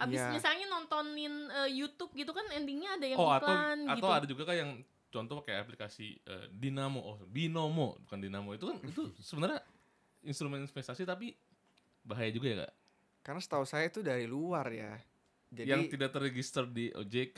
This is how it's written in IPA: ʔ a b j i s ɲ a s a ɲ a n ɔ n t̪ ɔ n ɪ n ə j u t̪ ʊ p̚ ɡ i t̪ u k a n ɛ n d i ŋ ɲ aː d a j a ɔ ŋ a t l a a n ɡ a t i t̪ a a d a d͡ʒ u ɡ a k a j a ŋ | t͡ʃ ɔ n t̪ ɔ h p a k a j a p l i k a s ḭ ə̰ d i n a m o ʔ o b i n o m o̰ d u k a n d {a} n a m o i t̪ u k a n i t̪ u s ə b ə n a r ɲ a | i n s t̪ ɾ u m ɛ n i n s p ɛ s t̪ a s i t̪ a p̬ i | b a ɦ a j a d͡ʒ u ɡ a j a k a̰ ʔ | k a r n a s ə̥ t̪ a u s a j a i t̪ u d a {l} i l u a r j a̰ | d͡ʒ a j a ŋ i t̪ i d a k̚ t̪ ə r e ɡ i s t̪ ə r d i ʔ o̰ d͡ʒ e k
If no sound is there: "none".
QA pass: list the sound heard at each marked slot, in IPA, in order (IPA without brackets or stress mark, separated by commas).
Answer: i, ɾ